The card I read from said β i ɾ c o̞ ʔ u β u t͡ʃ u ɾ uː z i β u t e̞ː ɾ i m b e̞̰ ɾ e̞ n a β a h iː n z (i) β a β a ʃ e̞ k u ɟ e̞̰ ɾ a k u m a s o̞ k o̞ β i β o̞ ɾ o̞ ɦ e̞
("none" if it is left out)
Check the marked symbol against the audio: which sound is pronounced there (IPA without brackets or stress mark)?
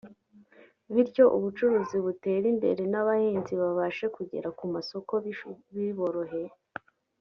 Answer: i